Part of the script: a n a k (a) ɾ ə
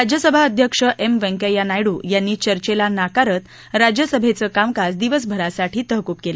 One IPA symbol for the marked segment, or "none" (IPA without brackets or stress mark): a